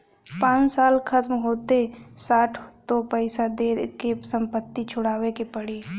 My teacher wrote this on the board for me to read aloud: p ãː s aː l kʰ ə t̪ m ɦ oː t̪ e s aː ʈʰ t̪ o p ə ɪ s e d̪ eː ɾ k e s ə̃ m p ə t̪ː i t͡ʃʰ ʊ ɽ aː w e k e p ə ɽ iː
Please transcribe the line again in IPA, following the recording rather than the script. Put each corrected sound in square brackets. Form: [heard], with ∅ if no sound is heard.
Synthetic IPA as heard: p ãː s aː l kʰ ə t̪ m ɦ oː t̪ e s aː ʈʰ t̪ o p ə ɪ s [a] d̪ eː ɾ k e s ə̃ m p ə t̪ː i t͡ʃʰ ʊ ɽ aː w e k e p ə ɽ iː

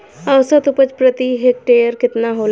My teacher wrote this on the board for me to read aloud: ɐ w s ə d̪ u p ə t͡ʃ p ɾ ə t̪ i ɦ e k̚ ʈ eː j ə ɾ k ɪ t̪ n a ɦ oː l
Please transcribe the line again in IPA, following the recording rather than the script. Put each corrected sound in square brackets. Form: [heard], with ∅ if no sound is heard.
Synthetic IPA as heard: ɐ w s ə [t̪] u p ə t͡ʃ p ɾ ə t̪ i ɦ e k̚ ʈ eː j ə ɾ k ɪ t̪ n a ɦ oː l

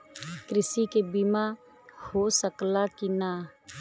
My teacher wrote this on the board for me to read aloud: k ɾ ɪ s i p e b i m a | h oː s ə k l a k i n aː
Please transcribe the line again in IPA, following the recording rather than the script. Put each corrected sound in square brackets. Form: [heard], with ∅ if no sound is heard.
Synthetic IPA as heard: k ɾ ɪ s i [k] e b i m a | h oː s ə k l a k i n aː

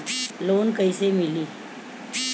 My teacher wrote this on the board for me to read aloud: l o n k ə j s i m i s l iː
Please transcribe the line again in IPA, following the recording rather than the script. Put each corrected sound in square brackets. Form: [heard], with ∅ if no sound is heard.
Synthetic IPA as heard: l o n k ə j s [e] m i [∅] l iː

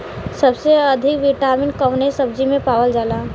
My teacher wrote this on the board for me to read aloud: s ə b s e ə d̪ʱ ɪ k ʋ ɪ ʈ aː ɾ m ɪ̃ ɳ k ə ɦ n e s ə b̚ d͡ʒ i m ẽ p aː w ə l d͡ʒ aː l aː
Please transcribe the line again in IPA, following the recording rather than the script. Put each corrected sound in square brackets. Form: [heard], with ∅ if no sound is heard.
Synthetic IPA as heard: s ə b s e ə d̪ʱ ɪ k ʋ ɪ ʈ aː ɾ m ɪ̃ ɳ k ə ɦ n e s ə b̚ d͡ʒ i m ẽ p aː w ə l d͡ʒ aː l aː

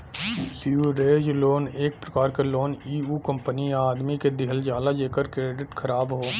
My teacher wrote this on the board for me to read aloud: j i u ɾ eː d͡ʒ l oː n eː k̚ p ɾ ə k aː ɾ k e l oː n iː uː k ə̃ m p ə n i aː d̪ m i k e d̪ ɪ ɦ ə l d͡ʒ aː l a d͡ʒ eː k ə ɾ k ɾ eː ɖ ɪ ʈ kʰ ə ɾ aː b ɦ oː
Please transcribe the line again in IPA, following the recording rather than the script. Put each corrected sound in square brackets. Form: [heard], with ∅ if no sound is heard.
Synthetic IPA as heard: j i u ɾ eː d͡ʒ l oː n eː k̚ p ɾ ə k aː ɾ k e l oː n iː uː k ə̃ m p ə n i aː d̪ m i k e d̪ ɪ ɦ ə l d͡ʒ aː l a d͡ʒ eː k ə ɾ k ɾ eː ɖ ɪ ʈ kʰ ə ɾ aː b ɦ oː

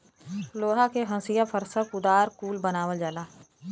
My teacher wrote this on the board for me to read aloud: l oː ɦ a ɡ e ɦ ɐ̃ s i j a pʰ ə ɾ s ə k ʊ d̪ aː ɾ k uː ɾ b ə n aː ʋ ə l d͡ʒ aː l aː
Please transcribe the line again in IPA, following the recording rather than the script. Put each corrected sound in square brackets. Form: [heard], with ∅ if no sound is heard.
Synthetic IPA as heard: l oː ɦ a [k] e ɦ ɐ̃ s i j a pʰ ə ɾ s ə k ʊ d̪ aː ɾ k uː [l] b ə n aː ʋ ə l d͡ʒ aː l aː

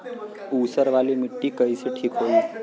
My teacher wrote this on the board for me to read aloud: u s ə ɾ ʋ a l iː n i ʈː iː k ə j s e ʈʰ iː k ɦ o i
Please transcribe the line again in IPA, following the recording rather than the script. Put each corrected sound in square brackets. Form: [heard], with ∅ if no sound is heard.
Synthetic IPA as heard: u s ə ɾ ʋ a l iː [m] i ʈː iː k ə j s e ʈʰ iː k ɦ o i

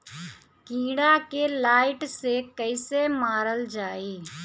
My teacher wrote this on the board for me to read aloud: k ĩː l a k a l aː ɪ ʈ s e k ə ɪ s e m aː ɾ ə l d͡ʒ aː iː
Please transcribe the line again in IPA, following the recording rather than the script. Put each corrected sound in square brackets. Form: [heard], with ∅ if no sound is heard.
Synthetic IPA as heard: k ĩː [ɽ] a k [e] l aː ɪ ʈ s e k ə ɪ s e m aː ɾ ə l d͡ʒ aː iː

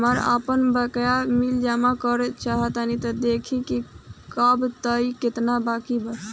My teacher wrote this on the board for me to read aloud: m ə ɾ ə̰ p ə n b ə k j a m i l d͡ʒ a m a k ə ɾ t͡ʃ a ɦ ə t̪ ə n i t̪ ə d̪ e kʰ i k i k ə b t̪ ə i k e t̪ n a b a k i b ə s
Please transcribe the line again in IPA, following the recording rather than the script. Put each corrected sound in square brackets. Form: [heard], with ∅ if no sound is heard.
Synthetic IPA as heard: m ə ɾ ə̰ p ə n b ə k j a m i l d͡ʒ a m a k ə ɾ t͡ʃ a ɦ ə t̪ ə n i t̪ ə d̪ e kʰ i k i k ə b t̪ ə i k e t̪ n a b a k i b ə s

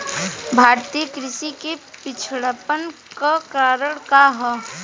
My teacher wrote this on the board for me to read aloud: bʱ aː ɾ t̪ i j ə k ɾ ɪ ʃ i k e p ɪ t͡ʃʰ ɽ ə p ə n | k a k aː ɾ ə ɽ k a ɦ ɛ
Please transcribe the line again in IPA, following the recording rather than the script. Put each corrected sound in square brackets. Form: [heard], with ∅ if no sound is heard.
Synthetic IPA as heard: bʱ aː ɾ t̪ i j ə k ɾ ɪ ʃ i k e p ɪ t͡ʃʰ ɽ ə p ə n | k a k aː ɾ ə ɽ k a ɦ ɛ

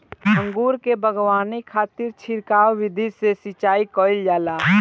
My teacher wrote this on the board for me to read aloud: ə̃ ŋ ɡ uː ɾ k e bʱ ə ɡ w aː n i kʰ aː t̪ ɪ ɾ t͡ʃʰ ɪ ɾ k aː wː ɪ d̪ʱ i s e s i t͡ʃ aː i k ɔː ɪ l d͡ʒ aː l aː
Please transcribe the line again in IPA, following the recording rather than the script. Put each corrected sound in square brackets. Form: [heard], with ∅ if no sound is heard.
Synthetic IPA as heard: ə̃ ŋ ɡ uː ɾ k e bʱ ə ɡ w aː n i kʰ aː t̪ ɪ ɾ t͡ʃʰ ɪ ɾ k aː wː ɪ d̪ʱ i s e s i t͡ʃ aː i k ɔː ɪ l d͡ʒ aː l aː

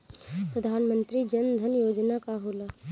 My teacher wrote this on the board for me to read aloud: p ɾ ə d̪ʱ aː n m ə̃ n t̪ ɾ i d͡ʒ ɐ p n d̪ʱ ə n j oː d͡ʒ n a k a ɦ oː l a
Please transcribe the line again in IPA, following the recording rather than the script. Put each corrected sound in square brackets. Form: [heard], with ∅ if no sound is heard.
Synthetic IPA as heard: p ɾ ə d̪ʱ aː n m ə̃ n t̪ ɾ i d͡ʒ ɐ [∅] n d̪ʱ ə n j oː d͡ʒ n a k a ɦ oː l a

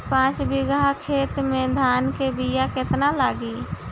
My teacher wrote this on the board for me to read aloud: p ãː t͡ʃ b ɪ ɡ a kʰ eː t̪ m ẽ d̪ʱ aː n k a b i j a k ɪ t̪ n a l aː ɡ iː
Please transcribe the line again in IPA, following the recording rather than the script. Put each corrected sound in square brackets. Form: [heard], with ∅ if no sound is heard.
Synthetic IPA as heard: p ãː t͡ʃ b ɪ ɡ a kʰ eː t̪ m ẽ d̪ʱ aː n k [e] b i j a k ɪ t̪ n a l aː ɡ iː

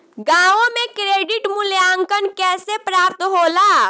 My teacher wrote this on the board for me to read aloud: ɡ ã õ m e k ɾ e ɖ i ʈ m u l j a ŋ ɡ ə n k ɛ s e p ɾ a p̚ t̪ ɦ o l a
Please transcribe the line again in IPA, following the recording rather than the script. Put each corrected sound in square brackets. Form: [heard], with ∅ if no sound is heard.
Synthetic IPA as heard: ɡ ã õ m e k ɾ e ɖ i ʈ m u l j a ŋ [k] ə n k ɛ s e p ɾ a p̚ t̪ ɦ o l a

